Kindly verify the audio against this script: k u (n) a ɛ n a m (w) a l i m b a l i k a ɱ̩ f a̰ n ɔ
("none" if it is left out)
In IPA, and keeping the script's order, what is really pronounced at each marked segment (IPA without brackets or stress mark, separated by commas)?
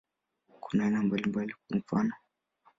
n, b